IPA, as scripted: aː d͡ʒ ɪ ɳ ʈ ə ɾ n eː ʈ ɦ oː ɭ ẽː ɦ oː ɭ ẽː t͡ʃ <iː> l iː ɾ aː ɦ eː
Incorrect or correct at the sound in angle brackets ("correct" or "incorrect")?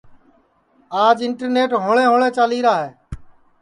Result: incorrect